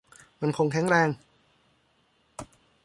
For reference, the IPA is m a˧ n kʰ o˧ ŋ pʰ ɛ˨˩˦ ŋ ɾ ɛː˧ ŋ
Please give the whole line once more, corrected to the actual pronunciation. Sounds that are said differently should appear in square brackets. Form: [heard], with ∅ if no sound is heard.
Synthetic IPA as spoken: m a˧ n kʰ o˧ ŋ [kʰ] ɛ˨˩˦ ŋ ɾ ɛː˧ ŋ